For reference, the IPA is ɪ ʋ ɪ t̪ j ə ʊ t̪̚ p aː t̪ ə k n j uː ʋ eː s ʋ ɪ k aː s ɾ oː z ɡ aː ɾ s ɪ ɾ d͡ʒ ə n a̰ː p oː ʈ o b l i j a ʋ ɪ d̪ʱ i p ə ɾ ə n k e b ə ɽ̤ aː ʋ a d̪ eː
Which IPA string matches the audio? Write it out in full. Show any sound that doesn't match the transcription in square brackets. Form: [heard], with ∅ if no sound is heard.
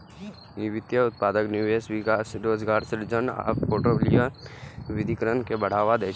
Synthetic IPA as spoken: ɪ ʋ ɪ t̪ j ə ʊ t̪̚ p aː [d̪] ə k n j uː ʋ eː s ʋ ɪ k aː s ɾ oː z ɡ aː ɾ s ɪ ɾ d͡ʒ ə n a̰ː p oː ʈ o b l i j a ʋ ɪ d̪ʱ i [k] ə ɾ ə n k e b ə ɽ̤ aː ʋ a d̪ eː